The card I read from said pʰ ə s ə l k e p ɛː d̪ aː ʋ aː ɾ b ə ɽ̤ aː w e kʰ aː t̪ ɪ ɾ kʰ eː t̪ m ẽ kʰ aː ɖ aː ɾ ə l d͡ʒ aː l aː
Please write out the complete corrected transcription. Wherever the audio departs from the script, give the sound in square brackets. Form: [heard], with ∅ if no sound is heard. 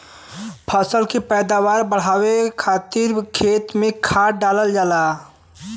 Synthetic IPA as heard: pʰ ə s ə l k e p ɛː d̪ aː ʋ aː ɾ b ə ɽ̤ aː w e kʰ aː t̪ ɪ ɾ kʰ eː t̪ m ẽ kʰ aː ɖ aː [l] ə l d͡ʒ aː l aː